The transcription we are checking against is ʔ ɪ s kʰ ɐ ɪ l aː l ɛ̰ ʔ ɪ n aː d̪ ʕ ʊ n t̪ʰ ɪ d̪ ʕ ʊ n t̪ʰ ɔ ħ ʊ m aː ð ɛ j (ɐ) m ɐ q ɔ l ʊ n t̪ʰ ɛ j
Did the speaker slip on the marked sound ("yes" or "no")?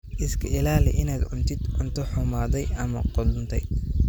no